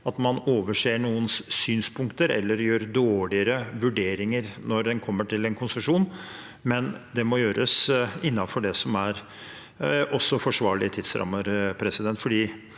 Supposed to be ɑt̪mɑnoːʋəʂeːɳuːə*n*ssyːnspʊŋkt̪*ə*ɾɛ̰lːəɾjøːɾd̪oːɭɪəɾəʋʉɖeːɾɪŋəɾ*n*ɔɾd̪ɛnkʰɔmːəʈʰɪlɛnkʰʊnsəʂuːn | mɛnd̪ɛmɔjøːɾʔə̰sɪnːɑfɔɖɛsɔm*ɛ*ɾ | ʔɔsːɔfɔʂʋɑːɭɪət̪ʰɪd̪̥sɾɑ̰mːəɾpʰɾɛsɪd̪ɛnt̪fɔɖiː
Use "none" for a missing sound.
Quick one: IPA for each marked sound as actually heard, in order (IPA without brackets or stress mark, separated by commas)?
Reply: n, ə, n, æ